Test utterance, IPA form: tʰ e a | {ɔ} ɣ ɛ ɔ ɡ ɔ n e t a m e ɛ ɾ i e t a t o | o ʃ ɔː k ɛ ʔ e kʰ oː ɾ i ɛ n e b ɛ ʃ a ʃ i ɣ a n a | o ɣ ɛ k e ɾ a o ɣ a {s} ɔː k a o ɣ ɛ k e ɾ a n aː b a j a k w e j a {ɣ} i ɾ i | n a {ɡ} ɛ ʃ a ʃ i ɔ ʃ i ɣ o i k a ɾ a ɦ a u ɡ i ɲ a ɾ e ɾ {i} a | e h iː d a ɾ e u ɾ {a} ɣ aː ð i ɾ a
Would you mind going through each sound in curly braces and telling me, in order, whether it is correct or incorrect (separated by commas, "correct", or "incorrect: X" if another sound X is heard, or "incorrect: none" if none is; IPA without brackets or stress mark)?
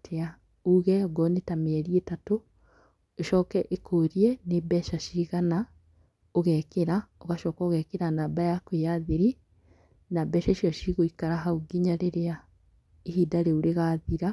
incorrect: u, incorrect: ʃ, incorrect: ð, incorrect: b, incorrect: e, incorrect: e